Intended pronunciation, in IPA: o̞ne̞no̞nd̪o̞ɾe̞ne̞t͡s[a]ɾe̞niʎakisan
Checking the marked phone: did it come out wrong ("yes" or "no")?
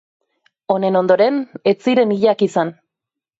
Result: yes